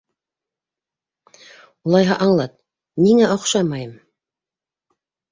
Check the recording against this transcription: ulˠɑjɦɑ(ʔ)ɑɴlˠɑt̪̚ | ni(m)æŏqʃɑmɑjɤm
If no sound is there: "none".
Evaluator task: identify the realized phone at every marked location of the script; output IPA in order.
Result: ʔ, ŋ

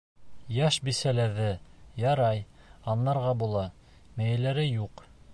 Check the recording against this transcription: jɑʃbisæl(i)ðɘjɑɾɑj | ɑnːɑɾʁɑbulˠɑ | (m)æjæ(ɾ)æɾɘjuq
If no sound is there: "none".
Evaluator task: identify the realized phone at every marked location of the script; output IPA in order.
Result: æ, m, l

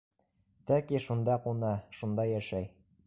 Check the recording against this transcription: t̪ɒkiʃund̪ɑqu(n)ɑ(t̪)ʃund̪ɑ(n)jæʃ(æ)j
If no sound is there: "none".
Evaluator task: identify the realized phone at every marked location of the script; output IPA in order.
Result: n, none, none, æ

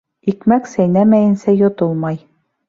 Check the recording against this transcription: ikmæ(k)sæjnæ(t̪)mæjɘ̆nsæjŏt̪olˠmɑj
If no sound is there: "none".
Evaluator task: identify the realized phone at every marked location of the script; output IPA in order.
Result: k, none

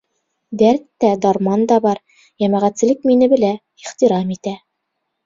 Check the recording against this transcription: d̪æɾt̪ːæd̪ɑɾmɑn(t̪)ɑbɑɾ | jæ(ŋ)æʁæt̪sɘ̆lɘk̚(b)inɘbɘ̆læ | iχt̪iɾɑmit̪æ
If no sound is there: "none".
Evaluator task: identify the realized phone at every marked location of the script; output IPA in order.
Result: d̪, m, m

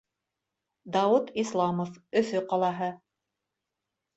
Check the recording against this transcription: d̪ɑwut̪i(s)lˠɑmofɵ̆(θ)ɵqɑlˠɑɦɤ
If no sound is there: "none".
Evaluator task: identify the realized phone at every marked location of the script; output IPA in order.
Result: s, θ

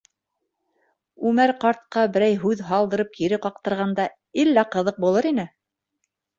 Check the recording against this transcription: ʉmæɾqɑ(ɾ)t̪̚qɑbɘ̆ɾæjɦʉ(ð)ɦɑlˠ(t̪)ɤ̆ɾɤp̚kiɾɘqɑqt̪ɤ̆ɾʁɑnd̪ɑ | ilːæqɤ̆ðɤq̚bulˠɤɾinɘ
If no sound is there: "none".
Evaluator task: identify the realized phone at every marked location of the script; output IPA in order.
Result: ɾ, ð, d̪

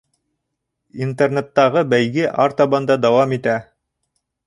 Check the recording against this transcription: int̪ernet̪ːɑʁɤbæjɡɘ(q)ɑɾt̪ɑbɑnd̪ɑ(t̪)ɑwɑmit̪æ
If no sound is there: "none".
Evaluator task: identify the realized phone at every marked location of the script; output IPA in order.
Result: ʔ, d̪

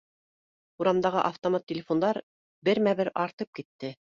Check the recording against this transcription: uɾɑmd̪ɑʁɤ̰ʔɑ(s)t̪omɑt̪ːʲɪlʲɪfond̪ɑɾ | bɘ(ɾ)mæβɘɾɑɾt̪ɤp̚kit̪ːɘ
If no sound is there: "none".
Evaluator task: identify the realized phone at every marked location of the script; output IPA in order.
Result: f, ɾ

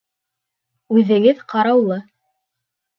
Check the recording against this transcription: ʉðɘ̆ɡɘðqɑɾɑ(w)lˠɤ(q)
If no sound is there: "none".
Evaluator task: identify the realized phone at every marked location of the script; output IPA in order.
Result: w, none

